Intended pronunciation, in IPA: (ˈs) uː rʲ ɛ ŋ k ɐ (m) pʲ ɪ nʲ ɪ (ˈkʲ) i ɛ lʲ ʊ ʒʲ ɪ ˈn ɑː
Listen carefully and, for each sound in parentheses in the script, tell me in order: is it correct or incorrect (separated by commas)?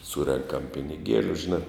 correct, correct, incorrect